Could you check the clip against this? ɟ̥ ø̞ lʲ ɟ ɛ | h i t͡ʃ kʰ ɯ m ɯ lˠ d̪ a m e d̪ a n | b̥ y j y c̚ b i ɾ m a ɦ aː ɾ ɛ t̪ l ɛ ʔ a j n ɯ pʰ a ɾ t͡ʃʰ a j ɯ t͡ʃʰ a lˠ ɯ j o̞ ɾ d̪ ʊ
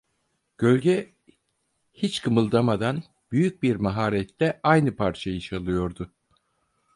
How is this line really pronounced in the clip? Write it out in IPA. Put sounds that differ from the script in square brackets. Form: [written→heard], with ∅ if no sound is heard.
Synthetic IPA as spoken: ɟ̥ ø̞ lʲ ɟ ɛ | h i t͡ʃ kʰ ɯ m ɯ lˠ d̪ a m [e→a] d̪ a n | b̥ y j y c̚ b i ɾ m a ɦ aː ɾ ɛ t̪ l ɛ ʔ a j n ɯ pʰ a ɾ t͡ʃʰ a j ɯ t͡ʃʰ a lˠ ɯ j o̞ ɾ d̪ ʊ